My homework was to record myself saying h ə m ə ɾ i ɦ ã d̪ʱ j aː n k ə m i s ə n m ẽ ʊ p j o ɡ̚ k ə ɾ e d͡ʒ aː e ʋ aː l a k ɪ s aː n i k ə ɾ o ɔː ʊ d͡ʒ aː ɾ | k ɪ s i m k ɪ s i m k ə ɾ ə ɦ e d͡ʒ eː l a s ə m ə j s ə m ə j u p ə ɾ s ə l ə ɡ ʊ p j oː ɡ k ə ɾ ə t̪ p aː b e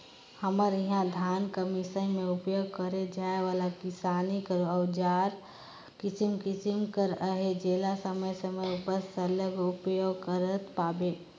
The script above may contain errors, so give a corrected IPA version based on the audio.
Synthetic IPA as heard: h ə m ə ɾ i ɦ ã d̪ʱ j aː n k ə m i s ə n m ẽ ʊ p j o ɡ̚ k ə ɾ e d͡ʒ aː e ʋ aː l a k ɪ s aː n i k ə ɾ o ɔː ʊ d͡ʒ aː ɾ | k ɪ s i m k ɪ s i m k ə ɾ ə ɦ e d͡ʒ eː l a s ə m ə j s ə m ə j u p ə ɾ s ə l ə ɡ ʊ p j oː ɡ k ə ɾ ə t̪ p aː b e